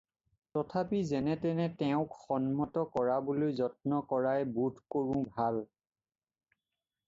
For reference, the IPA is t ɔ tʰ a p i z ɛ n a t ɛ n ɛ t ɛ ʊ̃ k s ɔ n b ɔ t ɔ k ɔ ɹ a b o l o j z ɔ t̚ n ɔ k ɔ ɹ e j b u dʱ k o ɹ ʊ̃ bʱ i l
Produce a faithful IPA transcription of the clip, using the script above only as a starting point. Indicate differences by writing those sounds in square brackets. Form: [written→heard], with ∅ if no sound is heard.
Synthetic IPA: t ɔ tʰ a p i z ɛ n [a→ɛ] t ɛ n ɛ t ɛ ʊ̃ k [s→x] ɔ n [b→m] ɔ t ɔ k ɔ ɹ a b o l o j z ɔ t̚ n ɔ k ɔ ɹ [e→a] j b u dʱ k o ɹ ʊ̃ bʱ [i→a] l

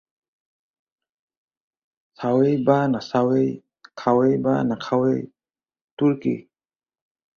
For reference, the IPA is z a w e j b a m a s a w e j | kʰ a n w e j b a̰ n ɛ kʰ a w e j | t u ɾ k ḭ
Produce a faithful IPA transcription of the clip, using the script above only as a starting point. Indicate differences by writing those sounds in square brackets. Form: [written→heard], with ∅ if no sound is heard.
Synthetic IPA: [z→s] a w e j b a [m→n] a s a w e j | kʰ a [n→∅] w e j b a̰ n [ɛ→a] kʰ a w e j | t u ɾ k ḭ

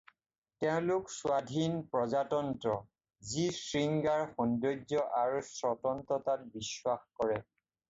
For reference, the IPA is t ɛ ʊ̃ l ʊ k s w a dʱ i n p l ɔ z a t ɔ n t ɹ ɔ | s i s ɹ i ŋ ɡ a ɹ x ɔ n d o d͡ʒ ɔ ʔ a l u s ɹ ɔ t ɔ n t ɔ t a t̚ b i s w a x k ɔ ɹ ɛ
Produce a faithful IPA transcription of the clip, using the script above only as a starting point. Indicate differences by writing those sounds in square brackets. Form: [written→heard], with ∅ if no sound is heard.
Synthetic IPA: t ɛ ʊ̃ l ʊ k s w a dʱ i n p [l→ɹ] ɔ z a t ɔ n t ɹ ɔ | [s→z] i s ɹ i ŋ ɡ a ɹ x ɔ n d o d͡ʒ ɔ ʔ a [l→ɹ] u s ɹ ɔ t ɔ n t ɔ t a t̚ b i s w a x k ɔ ɹ ɛ

